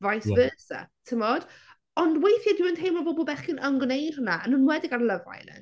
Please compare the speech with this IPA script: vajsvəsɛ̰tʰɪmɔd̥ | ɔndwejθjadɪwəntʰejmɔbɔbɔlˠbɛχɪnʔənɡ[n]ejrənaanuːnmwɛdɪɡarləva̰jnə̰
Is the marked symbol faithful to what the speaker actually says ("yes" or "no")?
yes